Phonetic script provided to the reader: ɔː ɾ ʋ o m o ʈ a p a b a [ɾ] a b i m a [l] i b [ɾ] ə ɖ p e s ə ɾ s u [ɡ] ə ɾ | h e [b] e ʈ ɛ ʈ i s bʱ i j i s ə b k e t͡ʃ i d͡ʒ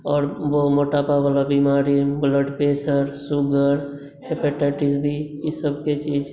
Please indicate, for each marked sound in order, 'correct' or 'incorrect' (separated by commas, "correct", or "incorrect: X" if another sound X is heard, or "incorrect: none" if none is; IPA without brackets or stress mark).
incorrect: l, incorrect: ɾ, incorrect: l, correct, incorrect: p